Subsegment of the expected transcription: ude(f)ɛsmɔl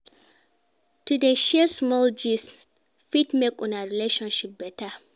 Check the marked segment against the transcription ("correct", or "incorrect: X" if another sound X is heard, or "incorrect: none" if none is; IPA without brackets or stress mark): incorrect: ʃ